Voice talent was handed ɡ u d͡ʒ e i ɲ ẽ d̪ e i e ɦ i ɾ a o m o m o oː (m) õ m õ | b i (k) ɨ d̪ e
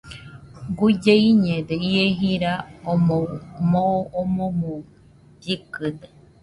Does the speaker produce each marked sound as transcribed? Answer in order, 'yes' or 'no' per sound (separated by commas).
yes, yes